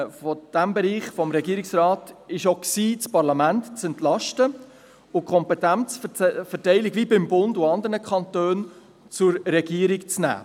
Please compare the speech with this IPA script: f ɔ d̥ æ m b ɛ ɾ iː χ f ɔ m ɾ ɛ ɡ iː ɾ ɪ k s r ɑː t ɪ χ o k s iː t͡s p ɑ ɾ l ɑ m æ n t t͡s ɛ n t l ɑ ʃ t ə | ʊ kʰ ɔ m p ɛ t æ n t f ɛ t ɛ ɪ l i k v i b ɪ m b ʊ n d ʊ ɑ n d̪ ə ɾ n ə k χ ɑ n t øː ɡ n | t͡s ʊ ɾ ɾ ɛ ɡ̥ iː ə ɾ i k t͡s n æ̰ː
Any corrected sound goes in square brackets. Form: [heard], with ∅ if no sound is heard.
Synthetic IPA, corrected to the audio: f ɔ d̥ æ m b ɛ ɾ iː χ f ɔ m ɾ ɛ ɡ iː ɾ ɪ k s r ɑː t ɪ [ʃ] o k s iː t͡s p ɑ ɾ l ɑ m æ n t t͡s ɛ n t l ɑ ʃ t ə | ʊ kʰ ɔ m p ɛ t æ n [t͡s] f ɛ t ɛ ɪ l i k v i b ɪ m b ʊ n d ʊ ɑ n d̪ ə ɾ n ə k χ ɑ n t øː [∅] n | t͡s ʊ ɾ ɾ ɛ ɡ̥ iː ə ɾ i k t͡s n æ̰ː